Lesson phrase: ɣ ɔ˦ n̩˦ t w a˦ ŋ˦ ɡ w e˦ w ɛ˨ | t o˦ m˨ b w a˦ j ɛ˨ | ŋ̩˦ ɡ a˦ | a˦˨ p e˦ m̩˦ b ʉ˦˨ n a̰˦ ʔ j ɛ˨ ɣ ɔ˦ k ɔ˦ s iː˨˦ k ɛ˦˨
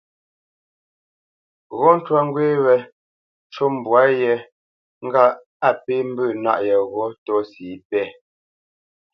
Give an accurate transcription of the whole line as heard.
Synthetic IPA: ɣ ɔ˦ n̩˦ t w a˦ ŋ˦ ɡ w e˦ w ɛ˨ | t͡ʃ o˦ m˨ b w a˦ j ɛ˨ | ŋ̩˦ ɡ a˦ | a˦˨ p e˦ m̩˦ b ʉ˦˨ n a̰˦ ʔ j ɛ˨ ɣ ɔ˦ t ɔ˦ s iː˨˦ p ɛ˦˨